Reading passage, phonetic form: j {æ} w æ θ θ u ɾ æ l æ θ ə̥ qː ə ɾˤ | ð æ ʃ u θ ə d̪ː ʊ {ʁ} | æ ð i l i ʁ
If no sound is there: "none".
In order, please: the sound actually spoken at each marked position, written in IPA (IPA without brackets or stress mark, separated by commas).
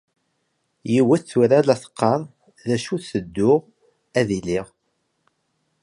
i, ʁ